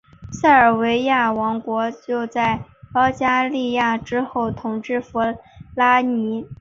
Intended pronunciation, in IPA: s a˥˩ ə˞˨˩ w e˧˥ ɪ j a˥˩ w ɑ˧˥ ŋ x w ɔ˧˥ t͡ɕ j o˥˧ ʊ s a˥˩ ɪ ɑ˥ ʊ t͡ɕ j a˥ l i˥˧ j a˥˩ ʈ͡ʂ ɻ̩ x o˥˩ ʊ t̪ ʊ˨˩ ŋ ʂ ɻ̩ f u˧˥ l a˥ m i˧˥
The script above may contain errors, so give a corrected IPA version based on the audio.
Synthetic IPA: s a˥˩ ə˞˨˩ w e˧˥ ɪ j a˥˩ w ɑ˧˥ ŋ k w ɔ˧˥ t͡ɕ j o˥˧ ʊ t͡s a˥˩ ɪ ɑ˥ ʊ t͡ɕ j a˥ l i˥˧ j a˥˩ ʈ͡ʂ ɻ̩ x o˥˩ ʊ t̪ʰ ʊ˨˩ ŋ ʈ͡ʂ ɻ̩ f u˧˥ l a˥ n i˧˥